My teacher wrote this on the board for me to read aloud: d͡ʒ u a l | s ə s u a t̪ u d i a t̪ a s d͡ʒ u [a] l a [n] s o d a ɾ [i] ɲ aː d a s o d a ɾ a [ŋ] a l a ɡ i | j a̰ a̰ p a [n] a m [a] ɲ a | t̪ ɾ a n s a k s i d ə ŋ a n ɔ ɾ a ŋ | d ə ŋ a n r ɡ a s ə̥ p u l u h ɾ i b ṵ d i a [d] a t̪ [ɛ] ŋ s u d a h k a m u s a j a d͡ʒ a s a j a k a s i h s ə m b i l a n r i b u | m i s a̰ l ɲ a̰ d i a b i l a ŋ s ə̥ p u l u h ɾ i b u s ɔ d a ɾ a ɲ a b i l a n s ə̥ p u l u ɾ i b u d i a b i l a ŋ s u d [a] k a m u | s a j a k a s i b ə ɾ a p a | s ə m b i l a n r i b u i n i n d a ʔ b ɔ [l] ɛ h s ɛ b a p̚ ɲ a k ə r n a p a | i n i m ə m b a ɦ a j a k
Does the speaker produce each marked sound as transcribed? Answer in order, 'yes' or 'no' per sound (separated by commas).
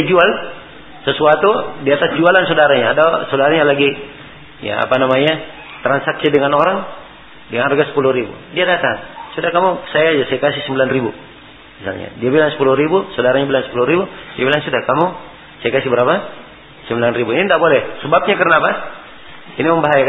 yes, yes, no, no, yes, yes, yes, no, yes, yes